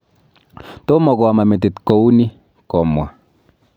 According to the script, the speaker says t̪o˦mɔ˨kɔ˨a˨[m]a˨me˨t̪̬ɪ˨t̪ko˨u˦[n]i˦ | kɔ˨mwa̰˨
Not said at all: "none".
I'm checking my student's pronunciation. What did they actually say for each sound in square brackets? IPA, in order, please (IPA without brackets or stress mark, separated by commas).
m, n